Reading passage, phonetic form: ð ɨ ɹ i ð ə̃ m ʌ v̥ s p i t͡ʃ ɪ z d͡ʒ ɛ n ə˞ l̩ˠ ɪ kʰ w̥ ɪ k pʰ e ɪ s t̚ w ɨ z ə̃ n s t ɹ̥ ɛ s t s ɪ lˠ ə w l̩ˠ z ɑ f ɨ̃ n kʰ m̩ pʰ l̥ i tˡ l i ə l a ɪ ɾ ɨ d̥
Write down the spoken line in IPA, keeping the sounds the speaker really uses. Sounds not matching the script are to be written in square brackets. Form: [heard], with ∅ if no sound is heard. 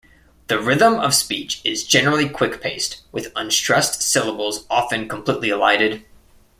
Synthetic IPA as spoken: ð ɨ ɹ [ɪ] ð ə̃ m ʌ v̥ s p i t͡ʃ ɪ z d͡ʒ ɛ n ə˞ l̩ˠ [i] kʰ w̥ ɪ k pʰ e ɪ s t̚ w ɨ [ð] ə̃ n s t ɹ̥ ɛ s t s ɪ lˠ ə [b] l̩ˠ z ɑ f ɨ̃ n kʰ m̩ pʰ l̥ i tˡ l i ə l a ɪ ɾ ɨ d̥